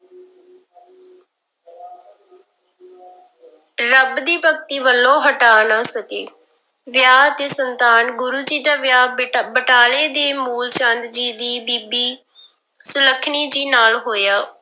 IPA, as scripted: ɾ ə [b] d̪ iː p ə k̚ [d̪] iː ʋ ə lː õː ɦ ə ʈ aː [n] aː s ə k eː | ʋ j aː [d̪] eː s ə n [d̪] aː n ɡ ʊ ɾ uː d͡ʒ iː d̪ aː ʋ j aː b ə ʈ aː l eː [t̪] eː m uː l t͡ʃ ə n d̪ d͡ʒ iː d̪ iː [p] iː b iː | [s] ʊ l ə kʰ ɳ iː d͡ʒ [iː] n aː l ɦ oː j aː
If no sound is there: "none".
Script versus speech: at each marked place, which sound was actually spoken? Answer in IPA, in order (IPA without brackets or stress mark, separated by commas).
b, t̪, n, t̪, t̪, d̪, b, s, iː